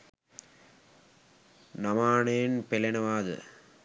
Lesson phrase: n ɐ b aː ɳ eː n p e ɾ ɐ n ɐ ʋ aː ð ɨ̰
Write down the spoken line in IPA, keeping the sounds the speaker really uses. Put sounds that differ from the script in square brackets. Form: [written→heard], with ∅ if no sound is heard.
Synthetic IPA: n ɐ [b→m] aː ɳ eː n p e [ɾ→l] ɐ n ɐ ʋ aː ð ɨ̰

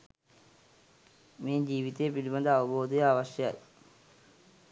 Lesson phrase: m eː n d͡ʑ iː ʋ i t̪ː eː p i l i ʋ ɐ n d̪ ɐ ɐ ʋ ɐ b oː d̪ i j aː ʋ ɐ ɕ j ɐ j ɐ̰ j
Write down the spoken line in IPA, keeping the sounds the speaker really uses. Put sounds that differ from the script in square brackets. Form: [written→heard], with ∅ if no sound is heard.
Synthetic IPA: m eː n d͡ʑ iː ʋ i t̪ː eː p i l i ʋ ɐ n d̪ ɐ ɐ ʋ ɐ b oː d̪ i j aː ʋ ɐ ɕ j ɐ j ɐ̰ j

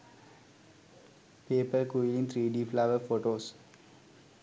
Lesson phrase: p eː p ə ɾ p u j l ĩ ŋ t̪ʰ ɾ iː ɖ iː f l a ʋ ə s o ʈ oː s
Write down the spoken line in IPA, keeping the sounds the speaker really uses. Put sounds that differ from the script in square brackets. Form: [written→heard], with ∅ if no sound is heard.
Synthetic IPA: p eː p ə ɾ [p→k] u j l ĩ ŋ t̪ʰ ɾ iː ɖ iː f l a ʋ ə [s→f] o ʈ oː s

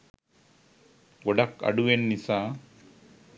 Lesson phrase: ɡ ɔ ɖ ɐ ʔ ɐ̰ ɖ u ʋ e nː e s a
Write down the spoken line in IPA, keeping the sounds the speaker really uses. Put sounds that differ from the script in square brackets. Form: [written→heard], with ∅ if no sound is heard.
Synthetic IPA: ɡ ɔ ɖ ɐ [ʔ→k] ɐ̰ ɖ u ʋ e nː [e→i] s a

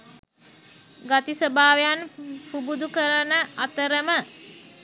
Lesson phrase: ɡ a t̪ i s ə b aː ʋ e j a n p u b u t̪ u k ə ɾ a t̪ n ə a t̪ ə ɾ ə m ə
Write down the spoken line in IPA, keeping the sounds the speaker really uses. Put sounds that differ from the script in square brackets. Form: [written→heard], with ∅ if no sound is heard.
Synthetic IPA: ɡ a t̪ i s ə b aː ʋ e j a n p u b u [t̪→d̪] u k ə ɾ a [t̪→∅] n ə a t̪ ə ɾ ə m ə

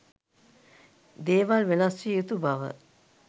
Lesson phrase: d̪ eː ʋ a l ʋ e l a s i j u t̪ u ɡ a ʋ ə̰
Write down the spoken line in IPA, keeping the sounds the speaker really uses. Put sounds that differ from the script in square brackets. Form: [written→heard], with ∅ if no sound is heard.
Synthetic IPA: d̪ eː ʋ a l ʋ e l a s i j u t̪ u [ɡ→b] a ʋ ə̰

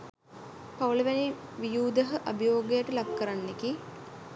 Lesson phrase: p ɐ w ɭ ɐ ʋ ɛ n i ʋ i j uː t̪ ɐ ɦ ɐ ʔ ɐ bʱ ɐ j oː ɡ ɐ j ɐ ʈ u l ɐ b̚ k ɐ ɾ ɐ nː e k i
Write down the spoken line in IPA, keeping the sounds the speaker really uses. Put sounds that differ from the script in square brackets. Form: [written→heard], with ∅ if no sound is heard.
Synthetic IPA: p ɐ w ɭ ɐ ʋ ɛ n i ʋ i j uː [t̪→d̪] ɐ ɦ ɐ ʔ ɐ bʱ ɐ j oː ɡ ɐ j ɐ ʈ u l ɐ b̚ k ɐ ɾ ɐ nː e k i

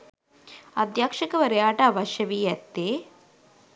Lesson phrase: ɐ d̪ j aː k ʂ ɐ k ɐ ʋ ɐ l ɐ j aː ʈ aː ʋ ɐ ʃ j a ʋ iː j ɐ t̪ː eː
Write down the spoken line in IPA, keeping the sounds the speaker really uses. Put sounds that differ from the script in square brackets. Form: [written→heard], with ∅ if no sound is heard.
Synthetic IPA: ɐ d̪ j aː k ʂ ɐ k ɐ ʋ ɐ [l→ɾ] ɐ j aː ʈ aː ʋ ɐ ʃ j [a→ɐ] ʋ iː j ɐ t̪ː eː

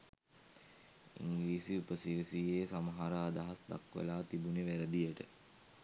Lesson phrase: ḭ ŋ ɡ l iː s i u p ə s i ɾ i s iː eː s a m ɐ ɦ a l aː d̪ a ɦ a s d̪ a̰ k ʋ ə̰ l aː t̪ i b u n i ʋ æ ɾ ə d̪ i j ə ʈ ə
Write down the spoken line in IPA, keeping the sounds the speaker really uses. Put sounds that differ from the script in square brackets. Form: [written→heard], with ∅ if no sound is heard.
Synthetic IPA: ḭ ŋ ɡ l iː s i u p ə s i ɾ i s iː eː s a m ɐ ɦ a [l→ɾ] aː d̪ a ɦ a s d̪ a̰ k ʋ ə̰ l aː t̪ i b u n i ʋ æ ɾ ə d̪ i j ə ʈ ə

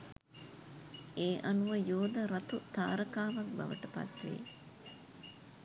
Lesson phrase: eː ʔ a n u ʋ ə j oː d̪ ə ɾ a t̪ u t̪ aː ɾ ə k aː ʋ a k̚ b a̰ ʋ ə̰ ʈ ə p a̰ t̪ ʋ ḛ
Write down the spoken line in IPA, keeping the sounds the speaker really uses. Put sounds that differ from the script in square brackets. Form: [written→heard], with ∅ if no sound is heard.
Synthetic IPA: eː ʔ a n u ʋ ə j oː d̪ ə ɾ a t̪ u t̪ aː ɾ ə k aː ʋ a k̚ b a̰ ʋ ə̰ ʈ ə p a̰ t̪ ʋ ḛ

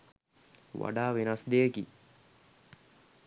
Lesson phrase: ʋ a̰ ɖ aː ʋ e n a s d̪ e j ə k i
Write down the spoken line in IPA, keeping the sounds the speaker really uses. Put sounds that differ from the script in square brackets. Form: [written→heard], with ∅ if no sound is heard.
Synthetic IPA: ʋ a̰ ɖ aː ʋ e n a s d̪ e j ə k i

